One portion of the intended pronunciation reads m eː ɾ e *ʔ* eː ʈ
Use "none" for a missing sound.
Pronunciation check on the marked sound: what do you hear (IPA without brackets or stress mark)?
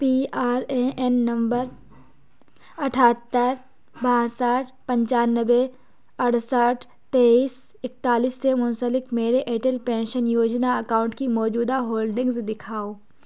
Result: ʔ